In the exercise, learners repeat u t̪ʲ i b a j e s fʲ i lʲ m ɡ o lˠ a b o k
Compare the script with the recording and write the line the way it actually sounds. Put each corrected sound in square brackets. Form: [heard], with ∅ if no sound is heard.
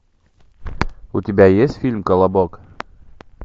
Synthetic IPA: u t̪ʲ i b [æ] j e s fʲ i lʲ m [k] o lˠ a b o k